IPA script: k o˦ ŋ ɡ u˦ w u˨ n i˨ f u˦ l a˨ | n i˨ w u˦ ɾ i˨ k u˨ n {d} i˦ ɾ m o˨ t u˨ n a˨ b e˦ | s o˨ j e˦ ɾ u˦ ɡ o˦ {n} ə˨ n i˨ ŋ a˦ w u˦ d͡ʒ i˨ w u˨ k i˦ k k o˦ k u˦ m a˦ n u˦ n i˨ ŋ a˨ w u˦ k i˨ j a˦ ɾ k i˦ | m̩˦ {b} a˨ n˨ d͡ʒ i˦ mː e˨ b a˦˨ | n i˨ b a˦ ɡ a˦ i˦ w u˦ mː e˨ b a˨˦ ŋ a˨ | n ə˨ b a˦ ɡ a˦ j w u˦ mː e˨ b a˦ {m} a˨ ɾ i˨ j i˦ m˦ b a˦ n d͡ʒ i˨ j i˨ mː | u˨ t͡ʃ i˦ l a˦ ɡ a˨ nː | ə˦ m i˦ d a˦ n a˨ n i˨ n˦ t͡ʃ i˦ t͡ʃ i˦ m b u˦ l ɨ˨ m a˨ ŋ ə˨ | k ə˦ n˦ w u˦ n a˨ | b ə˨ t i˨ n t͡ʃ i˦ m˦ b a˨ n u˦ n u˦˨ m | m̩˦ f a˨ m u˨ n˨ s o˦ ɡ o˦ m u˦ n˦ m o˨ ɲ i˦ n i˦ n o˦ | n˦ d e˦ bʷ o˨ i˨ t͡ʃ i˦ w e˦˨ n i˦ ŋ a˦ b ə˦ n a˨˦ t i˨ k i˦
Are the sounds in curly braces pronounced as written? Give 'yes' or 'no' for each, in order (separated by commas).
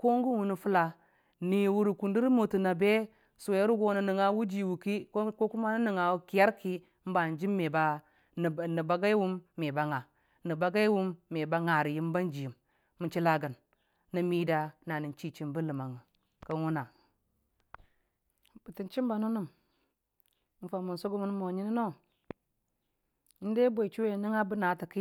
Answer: yes, yes, yes, no